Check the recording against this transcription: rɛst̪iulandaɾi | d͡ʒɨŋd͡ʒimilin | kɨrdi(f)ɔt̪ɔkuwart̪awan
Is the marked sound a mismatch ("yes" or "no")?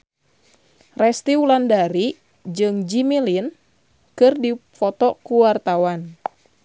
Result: no